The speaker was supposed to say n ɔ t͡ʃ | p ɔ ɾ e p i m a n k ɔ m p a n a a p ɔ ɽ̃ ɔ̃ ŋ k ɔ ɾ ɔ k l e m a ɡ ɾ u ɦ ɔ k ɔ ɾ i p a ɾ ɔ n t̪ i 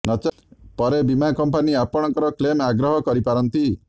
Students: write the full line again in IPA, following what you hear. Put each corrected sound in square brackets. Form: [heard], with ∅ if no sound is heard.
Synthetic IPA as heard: n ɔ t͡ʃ | p ɔ ɾ e [b] i m a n k ɔ m p a n [i] a p ɔ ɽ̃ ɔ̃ ŋ k ɔ ɾ ɔ k l e m a ɡ ɾ [ɔ] ɦ ɔ k ɔ ɾ i p a ɾ ɔ n t̪ i

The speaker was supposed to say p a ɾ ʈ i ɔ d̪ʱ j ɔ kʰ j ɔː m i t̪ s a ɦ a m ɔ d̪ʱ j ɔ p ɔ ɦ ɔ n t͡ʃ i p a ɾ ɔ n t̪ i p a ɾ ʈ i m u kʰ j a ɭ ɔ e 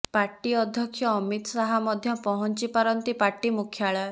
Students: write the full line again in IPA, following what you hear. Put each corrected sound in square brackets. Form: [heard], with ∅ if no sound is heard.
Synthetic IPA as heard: p a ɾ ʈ i ɔ d̪ʱ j ɔ kʰ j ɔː m i t̪ s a ɦ a m ɔ d̪ʱ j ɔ p ɔ ɦ ɔ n t͡ʃ i p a ɾ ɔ n t̪ i p a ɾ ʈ i m u kʰ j a ɭ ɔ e

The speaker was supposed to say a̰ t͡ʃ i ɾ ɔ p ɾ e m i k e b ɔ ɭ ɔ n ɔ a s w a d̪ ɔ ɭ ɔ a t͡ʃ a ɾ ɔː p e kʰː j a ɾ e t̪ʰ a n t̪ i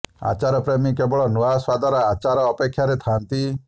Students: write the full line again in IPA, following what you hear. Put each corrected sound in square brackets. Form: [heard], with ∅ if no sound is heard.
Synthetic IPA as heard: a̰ t͡ʃ [a] ɾ ɔ p ɾ e m i k e b ɔ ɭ ɔ n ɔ a s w a d̪ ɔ [ɾ] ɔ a t͡ʃ a ɾ ɔː p e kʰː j a ɾ e t̪ʰ a n t̪ i

